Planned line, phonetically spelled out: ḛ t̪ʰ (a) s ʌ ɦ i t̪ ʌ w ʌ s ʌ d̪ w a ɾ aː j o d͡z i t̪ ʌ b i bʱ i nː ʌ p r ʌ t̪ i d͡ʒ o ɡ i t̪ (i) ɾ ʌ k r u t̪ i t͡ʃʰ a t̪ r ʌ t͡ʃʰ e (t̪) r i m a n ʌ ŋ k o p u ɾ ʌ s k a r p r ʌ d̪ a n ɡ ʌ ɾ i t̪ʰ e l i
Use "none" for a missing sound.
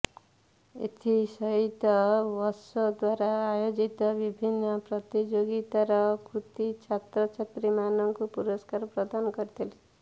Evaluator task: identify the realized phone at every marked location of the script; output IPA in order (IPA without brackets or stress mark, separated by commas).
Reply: i, a, t̪